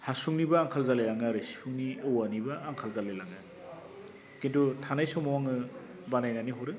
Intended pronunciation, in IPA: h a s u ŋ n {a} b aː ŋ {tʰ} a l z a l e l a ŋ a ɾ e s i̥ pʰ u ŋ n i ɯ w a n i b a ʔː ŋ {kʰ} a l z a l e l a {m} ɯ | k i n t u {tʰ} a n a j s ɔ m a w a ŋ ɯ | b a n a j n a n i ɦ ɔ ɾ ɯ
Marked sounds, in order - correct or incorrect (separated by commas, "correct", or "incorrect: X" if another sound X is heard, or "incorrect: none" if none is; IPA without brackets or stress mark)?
incorrect: i, incorrect: kʰ, correct, incorrect: ŋ, correct